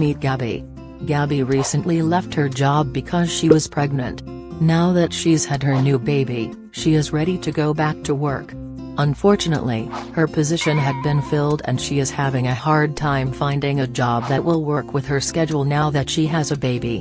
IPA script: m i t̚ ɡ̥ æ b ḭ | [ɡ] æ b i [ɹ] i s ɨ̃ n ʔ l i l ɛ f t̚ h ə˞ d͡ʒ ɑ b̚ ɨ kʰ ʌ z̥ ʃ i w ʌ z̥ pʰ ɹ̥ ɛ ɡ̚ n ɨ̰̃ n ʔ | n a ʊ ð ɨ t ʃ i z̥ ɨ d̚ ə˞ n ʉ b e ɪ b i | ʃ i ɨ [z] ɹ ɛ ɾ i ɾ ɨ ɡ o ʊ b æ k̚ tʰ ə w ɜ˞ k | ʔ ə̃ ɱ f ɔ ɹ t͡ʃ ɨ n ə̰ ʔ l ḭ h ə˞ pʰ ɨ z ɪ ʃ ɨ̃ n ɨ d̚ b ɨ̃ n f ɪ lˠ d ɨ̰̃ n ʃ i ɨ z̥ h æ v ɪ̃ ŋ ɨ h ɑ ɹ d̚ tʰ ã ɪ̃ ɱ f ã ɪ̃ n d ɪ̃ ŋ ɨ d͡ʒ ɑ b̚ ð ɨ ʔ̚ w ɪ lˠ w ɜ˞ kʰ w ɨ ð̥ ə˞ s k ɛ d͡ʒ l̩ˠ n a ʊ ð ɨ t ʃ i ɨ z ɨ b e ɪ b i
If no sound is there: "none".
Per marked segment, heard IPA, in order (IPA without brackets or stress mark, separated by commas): ɡ, ɹ, z